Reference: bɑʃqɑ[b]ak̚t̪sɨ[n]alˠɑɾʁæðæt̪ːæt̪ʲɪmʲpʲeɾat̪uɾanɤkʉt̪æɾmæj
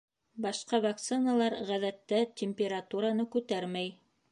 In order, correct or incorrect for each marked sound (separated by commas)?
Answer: incorrect, correct